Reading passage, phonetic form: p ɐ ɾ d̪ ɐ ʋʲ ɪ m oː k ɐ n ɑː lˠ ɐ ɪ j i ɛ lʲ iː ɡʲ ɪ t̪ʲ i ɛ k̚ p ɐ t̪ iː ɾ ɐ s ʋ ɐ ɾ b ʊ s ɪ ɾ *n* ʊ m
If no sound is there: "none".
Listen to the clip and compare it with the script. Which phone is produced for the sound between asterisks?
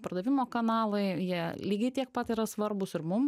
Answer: m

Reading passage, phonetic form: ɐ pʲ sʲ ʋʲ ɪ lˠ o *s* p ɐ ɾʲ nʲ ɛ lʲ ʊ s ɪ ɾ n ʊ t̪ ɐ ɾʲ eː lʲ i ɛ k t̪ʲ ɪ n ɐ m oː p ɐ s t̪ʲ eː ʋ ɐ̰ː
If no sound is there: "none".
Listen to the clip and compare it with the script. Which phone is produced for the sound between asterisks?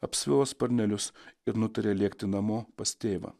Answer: s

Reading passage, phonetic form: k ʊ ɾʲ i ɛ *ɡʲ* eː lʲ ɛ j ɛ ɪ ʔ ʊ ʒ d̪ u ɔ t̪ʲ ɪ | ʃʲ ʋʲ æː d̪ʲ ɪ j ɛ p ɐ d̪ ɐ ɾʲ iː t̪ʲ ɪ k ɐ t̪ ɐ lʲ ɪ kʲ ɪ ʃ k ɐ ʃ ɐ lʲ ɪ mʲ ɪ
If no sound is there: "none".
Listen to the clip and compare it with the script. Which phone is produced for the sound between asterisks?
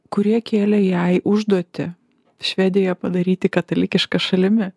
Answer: kʲ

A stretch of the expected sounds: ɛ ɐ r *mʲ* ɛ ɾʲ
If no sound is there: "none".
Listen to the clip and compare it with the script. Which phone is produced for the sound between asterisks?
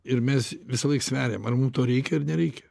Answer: nʲ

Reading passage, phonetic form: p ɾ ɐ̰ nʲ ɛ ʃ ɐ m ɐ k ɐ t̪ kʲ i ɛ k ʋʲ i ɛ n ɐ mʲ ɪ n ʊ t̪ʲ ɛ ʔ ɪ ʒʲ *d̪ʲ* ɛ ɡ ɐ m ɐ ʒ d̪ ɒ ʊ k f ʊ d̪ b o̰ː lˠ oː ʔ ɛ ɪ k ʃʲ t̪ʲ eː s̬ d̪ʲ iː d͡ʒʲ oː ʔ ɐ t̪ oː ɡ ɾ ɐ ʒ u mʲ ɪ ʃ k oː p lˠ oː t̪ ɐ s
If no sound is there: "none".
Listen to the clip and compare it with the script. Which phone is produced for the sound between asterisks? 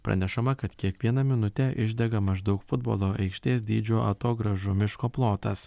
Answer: d̪ʲ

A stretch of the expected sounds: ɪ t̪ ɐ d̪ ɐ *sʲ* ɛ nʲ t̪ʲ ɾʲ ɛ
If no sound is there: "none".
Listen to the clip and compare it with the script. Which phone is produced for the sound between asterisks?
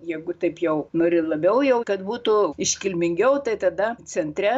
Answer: t͡sʲ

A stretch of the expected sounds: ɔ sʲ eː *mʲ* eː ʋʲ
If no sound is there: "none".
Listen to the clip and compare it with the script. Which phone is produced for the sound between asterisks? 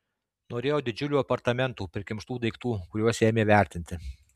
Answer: mʲ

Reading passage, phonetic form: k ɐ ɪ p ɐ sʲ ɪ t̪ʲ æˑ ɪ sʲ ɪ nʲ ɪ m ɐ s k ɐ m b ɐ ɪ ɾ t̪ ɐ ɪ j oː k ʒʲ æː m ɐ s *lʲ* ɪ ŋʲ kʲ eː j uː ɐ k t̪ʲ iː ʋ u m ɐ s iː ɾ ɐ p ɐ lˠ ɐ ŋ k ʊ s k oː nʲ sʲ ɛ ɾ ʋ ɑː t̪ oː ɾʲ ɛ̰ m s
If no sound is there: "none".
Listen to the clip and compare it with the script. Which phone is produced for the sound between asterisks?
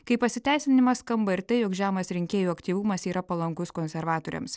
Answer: ɾʲ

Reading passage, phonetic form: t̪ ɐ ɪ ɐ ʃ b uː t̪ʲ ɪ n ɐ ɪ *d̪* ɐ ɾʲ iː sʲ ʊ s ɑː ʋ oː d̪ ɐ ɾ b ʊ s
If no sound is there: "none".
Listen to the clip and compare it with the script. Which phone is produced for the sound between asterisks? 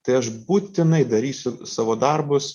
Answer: d̪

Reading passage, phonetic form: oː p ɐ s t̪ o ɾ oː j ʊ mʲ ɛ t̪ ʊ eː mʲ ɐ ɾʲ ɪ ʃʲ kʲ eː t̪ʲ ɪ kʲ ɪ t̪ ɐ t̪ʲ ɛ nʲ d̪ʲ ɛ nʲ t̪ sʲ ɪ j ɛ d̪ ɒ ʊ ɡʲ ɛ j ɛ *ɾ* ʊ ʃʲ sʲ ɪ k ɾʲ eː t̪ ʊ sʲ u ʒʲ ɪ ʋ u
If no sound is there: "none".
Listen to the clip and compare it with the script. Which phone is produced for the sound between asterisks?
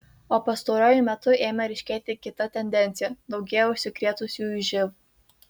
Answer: none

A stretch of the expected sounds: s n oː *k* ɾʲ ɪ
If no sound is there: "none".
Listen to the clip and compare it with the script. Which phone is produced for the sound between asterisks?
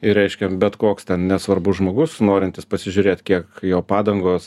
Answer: none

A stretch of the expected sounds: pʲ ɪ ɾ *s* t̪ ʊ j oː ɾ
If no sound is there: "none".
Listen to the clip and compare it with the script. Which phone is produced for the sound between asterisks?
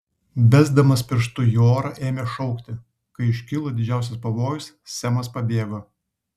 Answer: ʃ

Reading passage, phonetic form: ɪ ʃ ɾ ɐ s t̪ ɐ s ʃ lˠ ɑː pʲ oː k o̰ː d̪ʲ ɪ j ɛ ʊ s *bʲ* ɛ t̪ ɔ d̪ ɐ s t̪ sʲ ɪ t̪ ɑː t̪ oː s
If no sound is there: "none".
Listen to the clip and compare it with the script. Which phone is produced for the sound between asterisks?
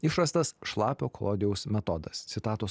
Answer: mʲ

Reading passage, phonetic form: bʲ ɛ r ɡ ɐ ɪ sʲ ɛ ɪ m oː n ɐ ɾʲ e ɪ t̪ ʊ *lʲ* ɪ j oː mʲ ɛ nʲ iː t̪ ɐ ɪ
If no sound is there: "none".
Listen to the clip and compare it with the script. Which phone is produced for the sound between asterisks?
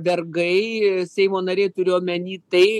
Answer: ɾʲ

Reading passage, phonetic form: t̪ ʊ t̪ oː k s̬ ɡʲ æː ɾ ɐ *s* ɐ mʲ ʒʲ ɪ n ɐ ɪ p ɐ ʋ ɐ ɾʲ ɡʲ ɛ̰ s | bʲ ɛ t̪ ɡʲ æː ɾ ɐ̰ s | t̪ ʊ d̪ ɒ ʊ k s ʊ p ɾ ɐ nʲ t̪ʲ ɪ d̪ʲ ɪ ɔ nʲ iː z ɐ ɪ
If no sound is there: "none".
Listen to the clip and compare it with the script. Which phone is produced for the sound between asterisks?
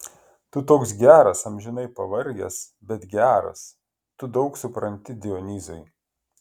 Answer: s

